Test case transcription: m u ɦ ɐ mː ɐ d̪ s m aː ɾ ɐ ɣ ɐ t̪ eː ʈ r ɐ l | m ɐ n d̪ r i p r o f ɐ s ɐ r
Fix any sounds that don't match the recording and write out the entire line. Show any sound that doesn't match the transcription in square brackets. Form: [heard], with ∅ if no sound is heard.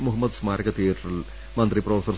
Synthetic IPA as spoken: m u ɦ ɐ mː ɐ d̪ s m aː ɾ ɐ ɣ ɐ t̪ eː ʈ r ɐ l | m ɐ n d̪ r i p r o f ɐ s ɐ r